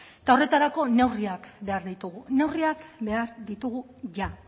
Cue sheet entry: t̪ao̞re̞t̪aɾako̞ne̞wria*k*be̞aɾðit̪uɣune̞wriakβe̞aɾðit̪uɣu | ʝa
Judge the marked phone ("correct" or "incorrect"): correct